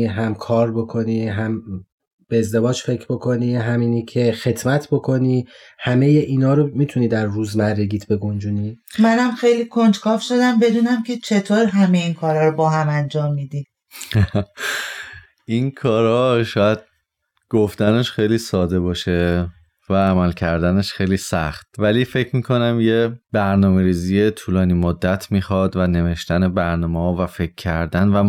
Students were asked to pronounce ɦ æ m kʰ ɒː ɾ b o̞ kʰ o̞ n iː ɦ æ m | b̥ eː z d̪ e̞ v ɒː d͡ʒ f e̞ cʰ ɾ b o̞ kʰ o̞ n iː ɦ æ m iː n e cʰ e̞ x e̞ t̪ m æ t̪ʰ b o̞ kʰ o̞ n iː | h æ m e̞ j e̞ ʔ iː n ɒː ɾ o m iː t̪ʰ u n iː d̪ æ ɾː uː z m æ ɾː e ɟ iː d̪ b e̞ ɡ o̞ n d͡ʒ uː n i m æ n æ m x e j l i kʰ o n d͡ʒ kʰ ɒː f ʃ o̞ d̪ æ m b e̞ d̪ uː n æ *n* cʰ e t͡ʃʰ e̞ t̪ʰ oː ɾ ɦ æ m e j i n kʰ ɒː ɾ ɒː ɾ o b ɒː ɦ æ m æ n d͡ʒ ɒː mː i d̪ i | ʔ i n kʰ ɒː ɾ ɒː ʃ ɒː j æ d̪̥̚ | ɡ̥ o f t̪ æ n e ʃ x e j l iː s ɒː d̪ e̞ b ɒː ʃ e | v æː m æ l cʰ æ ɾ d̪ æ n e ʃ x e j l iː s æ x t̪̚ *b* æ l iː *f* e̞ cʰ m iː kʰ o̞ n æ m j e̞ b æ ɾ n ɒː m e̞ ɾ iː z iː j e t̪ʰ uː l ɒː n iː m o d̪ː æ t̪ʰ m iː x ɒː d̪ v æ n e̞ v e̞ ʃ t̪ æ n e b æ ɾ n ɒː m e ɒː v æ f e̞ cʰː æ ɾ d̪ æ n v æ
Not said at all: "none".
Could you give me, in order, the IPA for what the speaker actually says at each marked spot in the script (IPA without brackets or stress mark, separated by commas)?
m, v, f